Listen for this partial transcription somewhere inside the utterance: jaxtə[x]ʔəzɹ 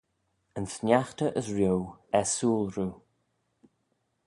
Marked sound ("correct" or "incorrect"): incorrect